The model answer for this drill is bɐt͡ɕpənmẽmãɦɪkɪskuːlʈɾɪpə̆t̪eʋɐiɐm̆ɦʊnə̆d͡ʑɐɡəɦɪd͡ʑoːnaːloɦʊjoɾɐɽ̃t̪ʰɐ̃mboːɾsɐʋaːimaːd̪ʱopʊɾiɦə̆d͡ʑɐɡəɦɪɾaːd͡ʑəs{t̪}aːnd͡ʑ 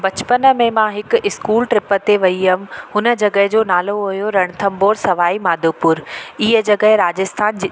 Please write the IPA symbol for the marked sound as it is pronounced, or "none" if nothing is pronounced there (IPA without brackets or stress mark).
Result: t̪ʰ